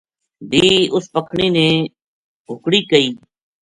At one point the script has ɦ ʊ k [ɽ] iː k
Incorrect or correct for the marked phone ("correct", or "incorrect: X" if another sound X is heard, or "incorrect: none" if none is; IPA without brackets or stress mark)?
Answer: correct